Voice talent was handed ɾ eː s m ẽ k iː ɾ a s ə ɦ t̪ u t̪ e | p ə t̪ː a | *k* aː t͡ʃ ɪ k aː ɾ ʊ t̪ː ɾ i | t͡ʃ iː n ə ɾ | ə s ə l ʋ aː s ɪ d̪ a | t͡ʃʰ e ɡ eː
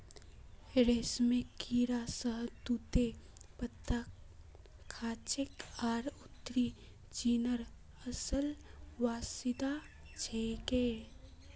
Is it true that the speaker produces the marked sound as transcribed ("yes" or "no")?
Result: no